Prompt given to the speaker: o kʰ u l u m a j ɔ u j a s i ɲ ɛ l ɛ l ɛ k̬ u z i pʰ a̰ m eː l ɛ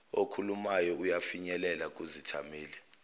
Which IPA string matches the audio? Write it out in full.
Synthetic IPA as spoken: o kʰ u l u m a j ɔ u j a f i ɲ ɛ l ɛ l a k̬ u z i tʰ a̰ m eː l ɛ